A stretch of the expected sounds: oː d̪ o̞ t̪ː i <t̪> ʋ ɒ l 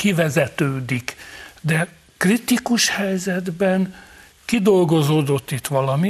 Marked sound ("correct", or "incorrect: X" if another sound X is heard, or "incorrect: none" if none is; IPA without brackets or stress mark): correct